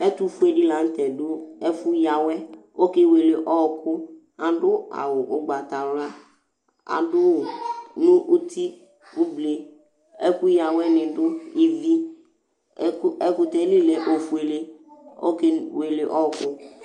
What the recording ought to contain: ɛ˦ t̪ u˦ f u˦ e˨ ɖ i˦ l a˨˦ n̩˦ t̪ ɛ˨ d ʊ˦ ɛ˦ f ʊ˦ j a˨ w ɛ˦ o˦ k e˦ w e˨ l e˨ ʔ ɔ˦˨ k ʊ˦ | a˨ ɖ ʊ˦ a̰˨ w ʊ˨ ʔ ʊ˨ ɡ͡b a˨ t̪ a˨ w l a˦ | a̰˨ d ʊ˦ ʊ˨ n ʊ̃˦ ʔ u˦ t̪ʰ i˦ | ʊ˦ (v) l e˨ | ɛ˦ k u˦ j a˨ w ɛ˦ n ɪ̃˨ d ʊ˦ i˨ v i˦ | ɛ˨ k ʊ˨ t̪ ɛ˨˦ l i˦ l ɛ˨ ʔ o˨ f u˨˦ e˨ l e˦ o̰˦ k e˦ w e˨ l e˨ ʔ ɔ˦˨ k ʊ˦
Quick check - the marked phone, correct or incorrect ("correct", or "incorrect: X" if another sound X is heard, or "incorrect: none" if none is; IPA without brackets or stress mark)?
incorrect: b